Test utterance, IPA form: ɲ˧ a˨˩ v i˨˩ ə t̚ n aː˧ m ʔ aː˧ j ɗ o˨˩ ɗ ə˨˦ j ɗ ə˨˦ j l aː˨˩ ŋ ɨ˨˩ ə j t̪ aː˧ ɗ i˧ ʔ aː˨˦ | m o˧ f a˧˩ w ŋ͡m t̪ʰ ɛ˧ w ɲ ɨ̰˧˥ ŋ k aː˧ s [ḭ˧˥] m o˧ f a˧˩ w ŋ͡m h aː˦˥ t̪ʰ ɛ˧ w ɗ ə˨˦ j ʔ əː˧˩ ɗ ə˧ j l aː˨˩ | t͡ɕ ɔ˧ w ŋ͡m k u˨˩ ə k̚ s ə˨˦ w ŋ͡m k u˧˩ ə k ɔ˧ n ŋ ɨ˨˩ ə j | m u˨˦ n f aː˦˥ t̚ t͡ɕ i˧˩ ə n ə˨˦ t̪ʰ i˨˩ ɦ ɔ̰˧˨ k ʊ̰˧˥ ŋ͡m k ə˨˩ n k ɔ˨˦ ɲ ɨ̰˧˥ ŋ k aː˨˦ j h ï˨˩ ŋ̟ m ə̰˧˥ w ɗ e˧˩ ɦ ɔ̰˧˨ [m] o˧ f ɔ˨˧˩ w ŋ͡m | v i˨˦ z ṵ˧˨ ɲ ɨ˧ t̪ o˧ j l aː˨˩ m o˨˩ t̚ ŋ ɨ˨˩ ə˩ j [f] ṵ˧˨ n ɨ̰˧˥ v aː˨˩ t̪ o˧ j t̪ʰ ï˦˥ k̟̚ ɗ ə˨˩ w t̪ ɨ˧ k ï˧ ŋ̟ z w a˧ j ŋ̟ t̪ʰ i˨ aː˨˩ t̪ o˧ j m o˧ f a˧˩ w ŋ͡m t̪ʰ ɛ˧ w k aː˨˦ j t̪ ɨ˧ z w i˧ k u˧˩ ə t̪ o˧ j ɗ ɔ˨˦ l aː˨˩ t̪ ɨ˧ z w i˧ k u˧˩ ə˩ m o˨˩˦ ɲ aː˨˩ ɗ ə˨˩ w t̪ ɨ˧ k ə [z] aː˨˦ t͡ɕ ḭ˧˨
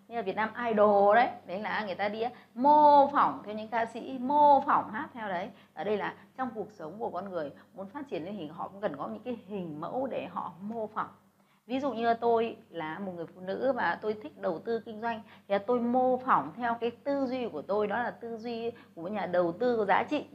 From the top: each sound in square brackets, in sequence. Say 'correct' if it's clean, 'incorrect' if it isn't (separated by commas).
correct, correct, correct, correct